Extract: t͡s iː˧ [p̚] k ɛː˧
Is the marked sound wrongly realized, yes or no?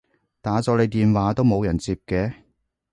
no